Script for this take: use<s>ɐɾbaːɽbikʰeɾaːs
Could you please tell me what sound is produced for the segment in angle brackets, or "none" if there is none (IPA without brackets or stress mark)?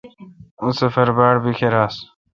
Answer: f